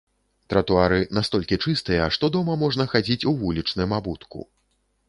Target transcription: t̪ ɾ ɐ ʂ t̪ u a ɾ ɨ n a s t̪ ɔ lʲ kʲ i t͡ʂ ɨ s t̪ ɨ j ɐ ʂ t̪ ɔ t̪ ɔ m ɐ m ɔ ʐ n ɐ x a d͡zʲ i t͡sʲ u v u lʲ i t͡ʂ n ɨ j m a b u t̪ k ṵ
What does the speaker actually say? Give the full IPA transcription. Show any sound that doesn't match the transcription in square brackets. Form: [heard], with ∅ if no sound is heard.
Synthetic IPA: t̪ ɾ ɐ [∅] t̪ u a ɾ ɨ n a s t̪ ɔ lʲ kʲ i t͡ʂ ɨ s t̪ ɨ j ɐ ʂ t̪ ɔ [d̪] ɔ m ɐ m ɔ ʐ n ɐ x a d͡zʲ i t͡sʲ u v u lʲ i t͡ʂ n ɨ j m a b u t̪ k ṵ